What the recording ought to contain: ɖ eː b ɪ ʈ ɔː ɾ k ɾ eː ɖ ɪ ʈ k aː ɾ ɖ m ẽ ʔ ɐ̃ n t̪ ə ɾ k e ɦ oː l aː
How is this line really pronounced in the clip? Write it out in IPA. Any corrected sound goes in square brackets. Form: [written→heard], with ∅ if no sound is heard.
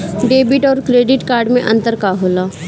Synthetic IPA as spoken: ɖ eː b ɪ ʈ ɔː ɾ k ɾ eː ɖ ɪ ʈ k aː ɾ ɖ m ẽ ʔ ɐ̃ n t̪ ə ɾ k [e→a] ɦ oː l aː